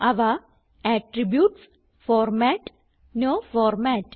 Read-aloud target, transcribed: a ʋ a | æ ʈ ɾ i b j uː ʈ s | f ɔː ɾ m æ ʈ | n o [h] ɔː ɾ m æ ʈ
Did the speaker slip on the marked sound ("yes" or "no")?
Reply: yes